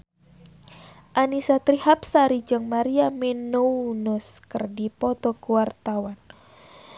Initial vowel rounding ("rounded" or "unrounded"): unrounded